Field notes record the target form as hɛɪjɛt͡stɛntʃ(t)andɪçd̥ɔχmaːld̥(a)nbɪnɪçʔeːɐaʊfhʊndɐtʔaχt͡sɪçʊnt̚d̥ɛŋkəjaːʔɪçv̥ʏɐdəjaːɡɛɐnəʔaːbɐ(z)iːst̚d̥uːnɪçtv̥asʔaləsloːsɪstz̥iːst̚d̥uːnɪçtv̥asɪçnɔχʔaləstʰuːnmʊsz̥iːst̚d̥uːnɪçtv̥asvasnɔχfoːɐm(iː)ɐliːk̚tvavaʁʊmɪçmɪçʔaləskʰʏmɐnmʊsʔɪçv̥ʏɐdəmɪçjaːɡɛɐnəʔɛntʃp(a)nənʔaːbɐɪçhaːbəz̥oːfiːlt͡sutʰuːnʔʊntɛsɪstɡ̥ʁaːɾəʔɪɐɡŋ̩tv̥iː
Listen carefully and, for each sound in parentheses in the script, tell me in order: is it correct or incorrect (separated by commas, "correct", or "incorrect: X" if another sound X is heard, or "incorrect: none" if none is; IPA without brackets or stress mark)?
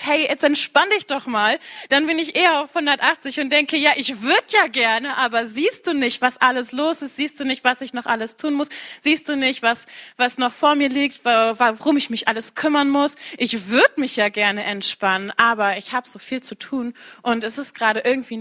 incorrect: p, correct, correct, correct, correct